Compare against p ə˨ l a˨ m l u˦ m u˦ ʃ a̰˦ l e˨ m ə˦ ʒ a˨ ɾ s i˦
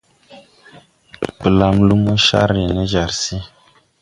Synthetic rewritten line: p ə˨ l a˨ m l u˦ m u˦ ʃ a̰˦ ɾ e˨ n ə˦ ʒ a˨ ɾ s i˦